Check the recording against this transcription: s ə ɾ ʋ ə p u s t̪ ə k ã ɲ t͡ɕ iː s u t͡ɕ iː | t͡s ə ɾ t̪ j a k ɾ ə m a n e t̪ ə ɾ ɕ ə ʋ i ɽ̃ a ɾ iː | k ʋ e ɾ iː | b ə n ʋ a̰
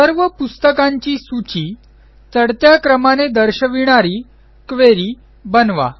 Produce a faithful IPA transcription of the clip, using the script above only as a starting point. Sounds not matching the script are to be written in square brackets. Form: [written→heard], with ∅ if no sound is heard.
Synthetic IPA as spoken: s ə ɾ ʋ ə p u s t̪ ə k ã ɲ t͡ɕ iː s u t͡ɕ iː | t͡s ə [ɾ→ɽ] t̪ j a k ɾ ə m a n e [t̪→d̪] ə ɾ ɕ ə ʋ i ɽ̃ a ɾ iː | k ʋ e ɾ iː | b ə n ʋ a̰

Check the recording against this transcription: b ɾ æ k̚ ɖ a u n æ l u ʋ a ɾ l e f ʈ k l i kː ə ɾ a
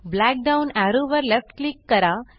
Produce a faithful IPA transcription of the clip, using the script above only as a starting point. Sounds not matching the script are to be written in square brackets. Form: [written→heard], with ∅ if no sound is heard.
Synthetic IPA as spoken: b [ɾ→l] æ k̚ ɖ a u n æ [l→ɾ] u ʋ [a→ə] ɾ l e f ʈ k l i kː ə ɾ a

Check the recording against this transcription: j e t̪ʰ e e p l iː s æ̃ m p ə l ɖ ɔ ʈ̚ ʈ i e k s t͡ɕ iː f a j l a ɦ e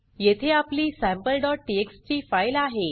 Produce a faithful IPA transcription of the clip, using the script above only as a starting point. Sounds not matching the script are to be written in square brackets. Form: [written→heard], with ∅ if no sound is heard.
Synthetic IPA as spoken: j e t̪ʰ e [e→a] p l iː s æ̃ m p ə l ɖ ɔ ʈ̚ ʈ i e k s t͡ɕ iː f a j l a ɦ e

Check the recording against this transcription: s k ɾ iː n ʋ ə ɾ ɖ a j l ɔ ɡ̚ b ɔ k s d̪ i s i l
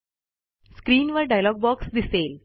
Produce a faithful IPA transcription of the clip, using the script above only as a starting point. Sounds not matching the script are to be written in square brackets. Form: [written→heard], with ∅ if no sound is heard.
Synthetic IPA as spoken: s k ɾ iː n ʋ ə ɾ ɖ a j l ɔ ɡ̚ b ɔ k s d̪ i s [i→e] l

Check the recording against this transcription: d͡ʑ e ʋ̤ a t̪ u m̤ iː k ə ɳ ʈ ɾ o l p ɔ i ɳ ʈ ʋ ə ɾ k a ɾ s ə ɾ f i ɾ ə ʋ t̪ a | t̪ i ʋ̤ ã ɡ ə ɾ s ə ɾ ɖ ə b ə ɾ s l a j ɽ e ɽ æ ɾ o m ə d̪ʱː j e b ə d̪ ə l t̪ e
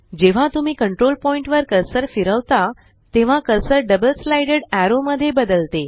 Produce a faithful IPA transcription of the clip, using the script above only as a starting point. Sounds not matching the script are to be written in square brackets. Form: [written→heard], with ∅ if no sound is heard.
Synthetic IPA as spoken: d͡ʑ e ʋ̤ a t̪ u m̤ iː k ə ɳ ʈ ɾ o l p ɔ i ɳ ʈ ʋ ə ɾ k [a→ə] ɾ s ə ɾ f i ɾ ə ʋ t̪ a | t̪ [i→e] ʋ̤ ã [ɡ→k] ə ɾ s ə ɾ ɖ ə b ə [ɾ→l] s l a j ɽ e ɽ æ ɾ o m ə d̪ʱː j e b ə d̪ ə l t̪ e

